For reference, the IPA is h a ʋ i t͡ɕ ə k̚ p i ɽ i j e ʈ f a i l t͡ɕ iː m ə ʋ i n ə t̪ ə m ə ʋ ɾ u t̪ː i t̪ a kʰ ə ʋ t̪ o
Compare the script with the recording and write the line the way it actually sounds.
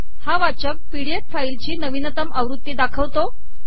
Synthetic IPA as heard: h a ʋ a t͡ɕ ə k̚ p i ɽ i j e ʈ f a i l t͡ɕ iː n ə ʋ i n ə t̪ ə m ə ʋ ɾ u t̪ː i d̪ a kʰ ə ʋ t̪ o